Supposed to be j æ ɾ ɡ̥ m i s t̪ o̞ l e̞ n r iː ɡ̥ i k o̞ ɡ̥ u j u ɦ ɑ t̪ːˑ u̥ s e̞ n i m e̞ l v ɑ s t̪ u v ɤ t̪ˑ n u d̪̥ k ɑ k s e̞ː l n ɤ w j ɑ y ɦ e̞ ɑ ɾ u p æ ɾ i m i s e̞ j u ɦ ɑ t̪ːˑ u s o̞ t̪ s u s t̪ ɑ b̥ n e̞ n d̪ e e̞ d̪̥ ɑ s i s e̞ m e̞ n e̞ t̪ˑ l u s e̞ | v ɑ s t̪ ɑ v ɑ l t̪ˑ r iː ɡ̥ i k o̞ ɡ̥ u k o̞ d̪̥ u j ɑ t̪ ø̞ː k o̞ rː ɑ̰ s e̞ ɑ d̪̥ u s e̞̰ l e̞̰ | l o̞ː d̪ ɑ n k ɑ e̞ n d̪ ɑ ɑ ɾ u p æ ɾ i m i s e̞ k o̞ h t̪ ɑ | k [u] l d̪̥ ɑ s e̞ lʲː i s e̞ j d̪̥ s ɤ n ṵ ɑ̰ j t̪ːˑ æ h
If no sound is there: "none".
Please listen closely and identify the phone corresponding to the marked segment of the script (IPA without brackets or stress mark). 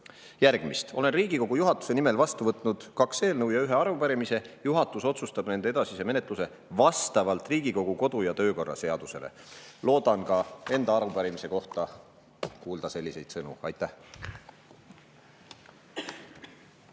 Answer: uː